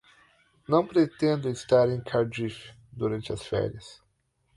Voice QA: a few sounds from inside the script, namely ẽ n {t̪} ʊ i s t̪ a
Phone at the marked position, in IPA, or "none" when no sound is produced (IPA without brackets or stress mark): d̪